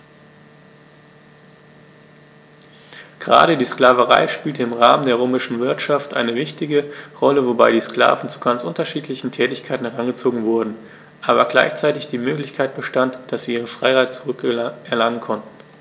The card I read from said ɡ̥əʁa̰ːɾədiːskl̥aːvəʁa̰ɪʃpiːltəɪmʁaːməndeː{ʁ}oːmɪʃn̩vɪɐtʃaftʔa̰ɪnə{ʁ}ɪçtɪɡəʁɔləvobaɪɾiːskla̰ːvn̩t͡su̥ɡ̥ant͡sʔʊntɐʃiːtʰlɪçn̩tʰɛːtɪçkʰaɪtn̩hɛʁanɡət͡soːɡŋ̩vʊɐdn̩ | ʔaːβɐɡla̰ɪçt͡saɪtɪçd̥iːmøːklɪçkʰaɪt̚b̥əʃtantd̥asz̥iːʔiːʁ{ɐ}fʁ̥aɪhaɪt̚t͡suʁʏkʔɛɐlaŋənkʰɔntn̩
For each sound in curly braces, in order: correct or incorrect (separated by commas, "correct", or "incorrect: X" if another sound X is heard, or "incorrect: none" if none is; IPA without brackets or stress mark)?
correct, incorrect: v, incorrect: ə